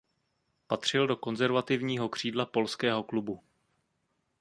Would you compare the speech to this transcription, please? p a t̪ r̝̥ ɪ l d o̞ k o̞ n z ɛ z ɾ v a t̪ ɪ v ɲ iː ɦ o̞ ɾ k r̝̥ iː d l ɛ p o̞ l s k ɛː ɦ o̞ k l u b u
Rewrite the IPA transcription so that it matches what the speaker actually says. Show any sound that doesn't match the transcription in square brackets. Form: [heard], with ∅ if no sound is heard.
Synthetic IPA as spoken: p a t̪ r̝̥ ɪ l d o̞ k o̞ n z ɛ [∅] ɾ v a t̪ ɪ v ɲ iː ɦ o̞ [∅] k r̝̥ iː d l [a] p o̞ l s k ɛː ɦ o̞ k l u b u